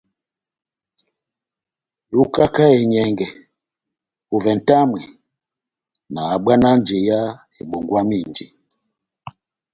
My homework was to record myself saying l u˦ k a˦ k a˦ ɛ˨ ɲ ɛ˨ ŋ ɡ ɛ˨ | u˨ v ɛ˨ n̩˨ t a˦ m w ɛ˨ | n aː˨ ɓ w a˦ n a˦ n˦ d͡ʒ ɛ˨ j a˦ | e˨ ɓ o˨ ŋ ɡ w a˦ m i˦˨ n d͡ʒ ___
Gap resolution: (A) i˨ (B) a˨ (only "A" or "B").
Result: A